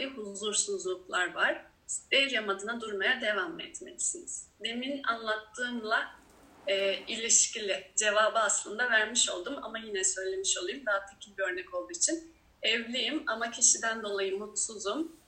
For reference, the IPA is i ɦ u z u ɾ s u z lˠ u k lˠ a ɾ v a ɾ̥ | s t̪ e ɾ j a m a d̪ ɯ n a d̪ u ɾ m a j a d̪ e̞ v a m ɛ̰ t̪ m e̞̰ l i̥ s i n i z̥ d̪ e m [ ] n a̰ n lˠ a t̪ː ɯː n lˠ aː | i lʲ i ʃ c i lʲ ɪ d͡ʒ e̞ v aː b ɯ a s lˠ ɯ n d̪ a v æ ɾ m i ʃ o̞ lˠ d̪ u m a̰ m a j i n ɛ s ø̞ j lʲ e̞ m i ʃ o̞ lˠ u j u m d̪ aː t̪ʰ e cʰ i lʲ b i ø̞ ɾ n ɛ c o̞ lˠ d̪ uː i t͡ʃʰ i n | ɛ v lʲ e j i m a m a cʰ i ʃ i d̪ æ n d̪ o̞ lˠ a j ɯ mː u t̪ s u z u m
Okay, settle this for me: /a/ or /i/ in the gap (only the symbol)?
i